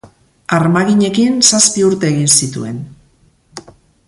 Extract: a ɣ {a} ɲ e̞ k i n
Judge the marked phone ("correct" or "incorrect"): incorrect